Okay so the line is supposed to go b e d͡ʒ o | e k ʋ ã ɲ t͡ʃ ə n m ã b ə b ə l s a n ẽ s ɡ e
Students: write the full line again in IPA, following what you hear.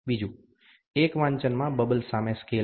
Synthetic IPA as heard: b i d͡ʒ u | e k ʋ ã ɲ t͡ʃ ə n m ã b ə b ə l s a m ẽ s k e